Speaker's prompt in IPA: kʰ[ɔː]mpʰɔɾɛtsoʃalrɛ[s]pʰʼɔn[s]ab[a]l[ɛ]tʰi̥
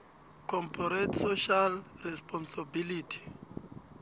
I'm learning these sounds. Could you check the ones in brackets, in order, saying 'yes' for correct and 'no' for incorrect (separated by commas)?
no, yes, yes, no, no